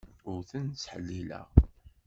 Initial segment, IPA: ʊ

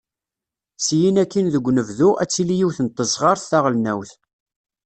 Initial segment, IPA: s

